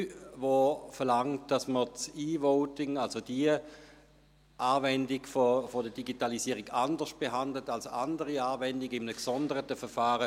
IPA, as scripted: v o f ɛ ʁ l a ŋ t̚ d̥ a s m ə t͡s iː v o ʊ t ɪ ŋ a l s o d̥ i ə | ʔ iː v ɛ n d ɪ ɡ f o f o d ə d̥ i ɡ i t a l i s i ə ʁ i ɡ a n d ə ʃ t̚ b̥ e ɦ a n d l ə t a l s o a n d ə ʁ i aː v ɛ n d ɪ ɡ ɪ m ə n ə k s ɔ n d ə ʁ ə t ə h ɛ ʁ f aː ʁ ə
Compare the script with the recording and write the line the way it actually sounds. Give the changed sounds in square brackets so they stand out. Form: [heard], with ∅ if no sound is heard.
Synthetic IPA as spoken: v o f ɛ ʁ l a ŋ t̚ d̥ a s m ə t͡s iː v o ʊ t ɪ ŋ a l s o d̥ i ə | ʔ [aː] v ɛ n d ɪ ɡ f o f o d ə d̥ i ɡ i t a l i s i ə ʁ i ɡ a n d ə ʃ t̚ b̥ e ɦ a n d l ə t a l s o a n d ə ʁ i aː v ɛ n d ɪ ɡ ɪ m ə n ə k s ɔ n d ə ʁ ə t ə [f] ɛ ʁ f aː ʁ ə